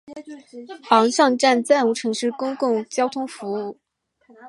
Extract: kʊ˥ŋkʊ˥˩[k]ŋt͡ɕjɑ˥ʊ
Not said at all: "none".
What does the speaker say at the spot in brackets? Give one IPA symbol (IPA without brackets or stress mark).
none